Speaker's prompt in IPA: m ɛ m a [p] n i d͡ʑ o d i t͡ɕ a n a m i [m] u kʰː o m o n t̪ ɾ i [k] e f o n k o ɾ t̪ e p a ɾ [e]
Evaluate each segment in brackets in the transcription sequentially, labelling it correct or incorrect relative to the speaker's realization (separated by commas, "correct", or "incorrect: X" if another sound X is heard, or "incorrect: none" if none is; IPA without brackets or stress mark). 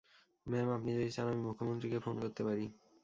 correct, correct, correct, incorrect: i